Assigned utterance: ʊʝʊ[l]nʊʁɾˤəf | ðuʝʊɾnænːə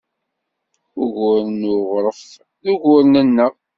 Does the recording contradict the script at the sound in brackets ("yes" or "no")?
yes